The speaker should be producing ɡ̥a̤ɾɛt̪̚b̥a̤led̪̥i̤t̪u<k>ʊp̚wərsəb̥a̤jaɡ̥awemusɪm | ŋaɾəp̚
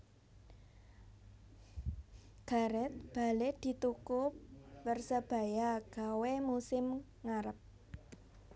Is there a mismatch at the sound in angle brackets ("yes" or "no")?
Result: no